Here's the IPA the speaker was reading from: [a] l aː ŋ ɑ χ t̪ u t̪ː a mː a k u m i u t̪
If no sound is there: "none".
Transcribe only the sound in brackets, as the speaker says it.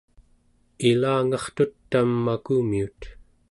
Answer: i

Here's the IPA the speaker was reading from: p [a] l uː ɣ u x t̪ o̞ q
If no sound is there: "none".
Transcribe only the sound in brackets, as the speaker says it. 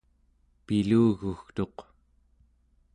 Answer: i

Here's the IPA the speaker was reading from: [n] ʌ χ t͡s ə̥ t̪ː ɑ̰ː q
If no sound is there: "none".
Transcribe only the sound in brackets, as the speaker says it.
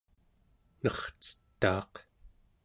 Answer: n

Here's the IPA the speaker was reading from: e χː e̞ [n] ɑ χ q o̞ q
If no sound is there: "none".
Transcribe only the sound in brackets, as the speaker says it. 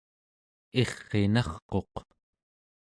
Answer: n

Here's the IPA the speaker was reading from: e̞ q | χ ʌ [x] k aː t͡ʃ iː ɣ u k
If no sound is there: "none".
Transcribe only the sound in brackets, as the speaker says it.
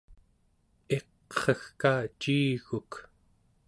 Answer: x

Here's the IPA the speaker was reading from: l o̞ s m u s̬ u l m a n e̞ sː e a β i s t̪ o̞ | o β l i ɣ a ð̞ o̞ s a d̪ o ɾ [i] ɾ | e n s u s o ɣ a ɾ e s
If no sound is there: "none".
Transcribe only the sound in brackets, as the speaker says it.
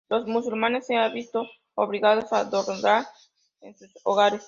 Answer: a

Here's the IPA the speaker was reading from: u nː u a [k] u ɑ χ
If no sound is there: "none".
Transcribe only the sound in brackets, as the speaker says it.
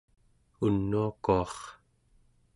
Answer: k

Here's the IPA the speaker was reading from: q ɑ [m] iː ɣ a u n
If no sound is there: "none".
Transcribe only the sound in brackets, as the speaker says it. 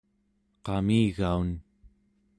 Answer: m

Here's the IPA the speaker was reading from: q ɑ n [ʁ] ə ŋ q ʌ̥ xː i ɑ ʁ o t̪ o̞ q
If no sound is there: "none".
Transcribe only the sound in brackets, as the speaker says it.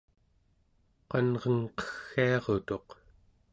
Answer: ʁ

